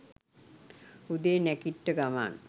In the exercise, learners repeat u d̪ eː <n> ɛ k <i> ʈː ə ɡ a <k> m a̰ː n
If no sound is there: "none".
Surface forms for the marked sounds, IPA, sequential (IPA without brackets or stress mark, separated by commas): n, i, none